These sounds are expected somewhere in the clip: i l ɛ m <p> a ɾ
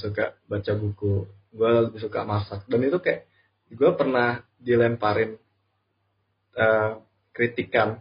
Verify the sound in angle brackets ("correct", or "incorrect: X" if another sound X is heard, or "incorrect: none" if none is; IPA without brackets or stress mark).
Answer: correct